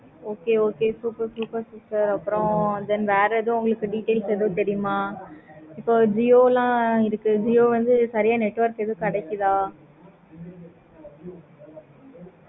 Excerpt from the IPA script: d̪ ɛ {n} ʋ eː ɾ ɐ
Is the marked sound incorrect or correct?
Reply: correct